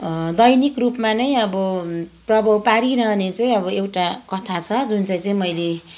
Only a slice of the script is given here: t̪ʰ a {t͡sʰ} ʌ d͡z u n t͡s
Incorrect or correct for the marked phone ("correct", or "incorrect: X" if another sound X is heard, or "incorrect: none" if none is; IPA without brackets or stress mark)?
correct